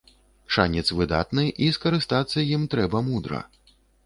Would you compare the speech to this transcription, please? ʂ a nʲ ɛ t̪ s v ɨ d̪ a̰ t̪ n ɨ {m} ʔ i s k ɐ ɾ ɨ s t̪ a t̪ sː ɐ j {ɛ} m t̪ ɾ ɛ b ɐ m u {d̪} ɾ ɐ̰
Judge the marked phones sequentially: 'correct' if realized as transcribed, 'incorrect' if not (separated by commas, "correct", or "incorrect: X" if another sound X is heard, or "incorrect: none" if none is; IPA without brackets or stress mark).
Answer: incorrect: none, incorrect: i, correct